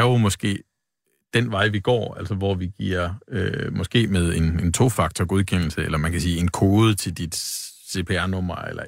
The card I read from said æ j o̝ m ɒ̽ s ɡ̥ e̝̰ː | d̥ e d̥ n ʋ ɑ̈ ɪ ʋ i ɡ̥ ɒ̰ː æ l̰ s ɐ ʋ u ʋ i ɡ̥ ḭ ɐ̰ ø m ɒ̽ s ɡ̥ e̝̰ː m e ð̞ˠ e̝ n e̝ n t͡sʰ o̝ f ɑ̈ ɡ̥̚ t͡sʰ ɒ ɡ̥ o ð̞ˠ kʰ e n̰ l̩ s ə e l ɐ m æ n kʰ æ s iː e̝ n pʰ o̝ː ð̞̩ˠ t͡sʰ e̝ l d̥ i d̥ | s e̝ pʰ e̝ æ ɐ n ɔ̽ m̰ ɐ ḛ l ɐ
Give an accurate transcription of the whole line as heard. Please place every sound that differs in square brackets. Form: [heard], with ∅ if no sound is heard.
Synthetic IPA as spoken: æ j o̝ m ɒ̽ s ɡ̥ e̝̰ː | d̥ e [∅] n ʋ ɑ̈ ɪ ʋ i ɡ̥ ɒ̰ː æ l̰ s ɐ ʋ [ɒ] ʋ i ɡ̥ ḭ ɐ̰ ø m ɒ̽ s ɡ̥ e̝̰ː m e ð̞ˠ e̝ n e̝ n t͡sʰ o̝ f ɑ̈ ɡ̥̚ t͡sʰ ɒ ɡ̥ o ð̞ˠ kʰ e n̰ l̩ s ə e l ɐ m æ n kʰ æ s iː e̝ n [kʰ] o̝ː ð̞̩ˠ t͡sʰ e̝ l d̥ i d̥ | s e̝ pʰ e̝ æ ɐ n ɔ̽ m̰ ɐ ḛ l ɐ